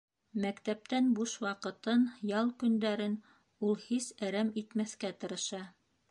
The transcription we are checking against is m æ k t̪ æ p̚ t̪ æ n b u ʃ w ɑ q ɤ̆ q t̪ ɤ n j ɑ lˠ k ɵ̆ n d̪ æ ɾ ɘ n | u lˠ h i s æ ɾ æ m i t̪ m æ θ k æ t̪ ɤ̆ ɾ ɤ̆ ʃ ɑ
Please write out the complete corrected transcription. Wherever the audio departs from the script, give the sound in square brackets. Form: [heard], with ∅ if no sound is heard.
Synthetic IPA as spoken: m æ k t̪ æ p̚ t̪ æ n b u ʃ w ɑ q ɤ̆ [∅] t̪ ɤ n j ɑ lˠ k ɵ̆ n d̪ æ ɾ ɘ n | u lˠ h i s æ ɾ æ m i t̪ m æ θ k æ t̪ ɤ̆ ɾ ɤ̆ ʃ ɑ